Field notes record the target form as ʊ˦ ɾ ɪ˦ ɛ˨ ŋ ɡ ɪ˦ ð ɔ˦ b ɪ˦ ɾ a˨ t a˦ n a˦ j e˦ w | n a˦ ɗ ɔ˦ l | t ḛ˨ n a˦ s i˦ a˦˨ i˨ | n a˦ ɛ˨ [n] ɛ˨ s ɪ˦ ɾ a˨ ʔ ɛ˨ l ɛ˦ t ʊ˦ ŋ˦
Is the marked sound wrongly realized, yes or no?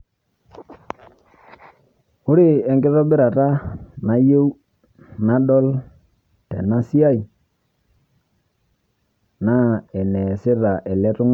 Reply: no